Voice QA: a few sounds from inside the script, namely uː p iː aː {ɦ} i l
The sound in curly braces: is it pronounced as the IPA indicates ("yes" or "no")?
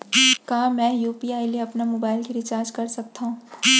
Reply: no